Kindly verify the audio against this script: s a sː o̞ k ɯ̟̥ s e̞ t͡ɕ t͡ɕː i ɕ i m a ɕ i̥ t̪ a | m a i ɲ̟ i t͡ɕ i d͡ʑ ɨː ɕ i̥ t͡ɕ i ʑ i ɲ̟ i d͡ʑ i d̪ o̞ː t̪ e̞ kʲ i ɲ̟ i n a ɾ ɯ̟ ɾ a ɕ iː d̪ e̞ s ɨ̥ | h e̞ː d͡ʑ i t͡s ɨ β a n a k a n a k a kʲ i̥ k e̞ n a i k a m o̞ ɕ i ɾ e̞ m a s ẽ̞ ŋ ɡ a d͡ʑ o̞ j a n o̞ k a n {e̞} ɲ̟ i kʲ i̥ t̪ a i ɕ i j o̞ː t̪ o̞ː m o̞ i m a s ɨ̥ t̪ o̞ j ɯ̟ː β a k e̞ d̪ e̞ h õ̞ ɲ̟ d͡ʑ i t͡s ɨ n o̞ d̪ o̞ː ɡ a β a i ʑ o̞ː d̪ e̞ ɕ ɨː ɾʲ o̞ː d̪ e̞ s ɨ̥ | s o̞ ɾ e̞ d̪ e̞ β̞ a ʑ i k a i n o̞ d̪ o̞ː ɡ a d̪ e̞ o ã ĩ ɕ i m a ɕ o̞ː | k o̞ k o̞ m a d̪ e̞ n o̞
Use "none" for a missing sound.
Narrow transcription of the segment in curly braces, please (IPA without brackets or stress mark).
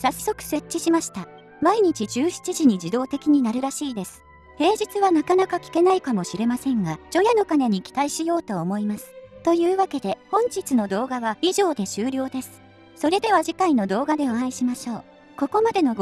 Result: e̞